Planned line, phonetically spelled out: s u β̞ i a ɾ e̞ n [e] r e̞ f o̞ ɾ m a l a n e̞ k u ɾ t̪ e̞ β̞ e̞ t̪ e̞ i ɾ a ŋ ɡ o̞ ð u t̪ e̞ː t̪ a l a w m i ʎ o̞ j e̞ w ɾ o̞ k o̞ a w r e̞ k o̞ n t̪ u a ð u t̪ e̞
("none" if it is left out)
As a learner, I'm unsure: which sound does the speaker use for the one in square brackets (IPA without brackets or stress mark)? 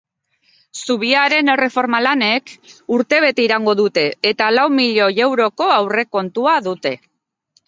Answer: e